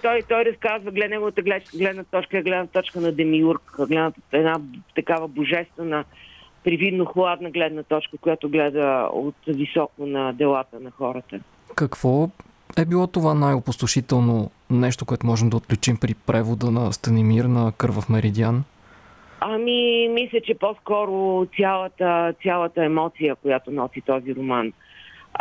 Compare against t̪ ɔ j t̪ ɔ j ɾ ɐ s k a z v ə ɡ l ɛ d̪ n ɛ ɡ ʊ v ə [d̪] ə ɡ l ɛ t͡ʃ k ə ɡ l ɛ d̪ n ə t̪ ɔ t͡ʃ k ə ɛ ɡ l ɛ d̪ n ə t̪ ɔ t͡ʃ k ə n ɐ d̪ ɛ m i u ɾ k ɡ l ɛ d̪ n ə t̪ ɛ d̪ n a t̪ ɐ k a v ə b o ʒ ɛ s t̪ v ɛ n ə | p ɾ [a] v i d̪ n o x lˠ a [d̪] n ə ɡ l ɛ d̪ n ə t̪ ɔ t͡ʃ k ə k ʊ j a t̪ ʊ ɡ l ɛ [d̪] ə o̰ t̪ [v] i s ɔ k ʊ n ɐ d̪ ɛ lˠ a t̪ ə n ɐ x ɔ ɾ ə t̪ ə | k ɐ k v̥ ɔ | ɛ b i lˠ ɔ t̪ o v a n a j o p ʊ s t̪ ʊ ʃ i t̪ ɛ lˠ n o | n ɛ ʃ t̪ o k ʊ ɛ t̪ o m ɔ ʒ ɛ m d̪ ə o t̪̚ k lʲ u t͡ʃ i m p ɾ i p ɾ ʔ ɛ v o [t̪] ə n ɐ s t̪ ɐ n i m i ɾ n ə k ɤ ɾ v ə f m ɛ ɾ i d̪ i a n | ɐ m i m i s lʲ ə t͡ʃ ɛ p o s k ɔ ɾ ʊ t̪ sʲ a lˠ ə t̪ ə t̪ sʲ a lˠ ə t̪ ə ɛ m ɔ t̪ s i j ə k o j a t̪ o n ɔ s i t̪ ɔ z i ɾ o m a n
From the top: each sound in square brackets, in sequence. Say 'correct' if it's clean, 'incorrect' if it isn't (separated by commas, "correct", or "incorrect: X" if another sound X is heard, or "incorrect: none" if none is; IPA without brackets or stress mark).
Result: incorrect: t̪, incorrect: i, correct, correct, correct, incorrect: d̪